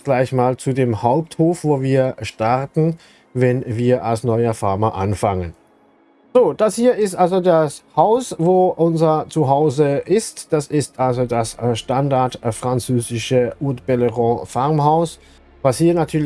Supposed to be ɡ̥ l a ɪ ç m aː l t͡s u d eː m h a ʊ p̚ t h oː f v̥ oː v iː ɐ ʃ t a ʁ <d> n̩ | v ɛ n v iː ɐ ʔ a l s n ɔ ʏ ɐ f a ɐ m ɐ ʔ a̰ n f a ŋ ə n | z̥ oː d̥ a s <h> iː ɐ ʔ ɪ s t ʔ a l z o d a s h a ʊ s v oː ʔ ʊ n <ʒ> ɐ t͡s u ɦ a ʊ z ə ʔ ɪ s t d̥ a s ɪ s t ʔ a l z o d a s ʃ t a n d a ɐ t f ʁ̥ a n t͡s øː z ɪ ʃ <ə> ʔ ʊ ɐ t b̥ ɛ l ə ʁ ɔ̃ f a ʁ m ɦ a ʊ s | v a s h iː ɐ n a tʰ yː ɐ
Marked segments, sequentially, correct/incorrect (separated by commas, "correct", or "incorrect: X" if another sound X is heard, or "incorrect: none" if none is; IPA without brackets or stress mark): incorrect: t, correct, incorrect: z, correct